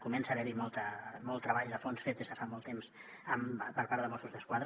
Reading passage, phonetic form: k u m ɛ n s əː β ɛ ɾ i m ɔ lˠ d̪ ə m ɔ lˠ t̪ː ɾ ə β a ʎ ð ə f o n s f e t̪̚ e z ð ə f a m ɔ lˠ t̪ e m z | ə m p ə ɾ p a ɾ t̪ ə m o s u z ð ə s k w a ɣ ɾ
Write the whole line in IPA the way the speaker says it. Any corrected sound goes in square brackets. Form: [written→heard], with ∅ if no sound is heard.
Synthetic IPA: k u m ɛ n s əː β ɛ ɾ i m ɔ lˠ [d̪→t̪] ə m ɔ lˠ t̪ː ɾ ə β a ʎ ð ə f o n s f e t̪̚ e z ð ə f a m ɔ lˠ t̪ e m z | ə m p ə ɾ p a ɾ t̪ ə m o s u z ð ə s k w a [ɣ→ð] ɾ